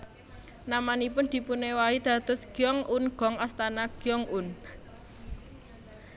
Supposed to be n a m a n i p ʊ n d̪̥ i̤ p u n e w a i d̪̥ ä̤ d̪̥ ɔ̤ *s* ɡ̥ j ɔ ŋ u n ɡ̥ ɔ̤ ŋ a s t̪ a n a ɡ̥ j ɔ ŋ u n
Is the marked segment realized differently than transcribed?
no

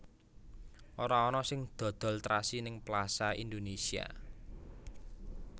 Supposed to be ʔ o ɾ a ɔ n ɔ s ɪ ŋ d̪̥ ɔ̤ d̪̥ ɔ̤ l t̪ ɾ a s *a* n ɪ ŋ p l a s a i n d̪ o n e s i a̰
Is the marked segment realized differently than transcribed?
yes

